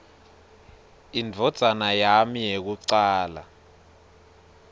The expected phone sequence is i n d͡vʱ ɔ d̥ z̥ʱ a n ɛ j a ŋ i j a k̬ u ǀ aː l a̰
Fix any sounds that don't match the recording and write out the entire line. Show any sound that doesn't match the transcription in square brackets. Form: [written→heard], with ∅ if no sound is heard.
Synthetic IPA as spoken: i n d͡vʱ ɔ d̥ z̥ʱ a n [ɛ→a] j a [ŋ→m] i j [a→e] k̬ u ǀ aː l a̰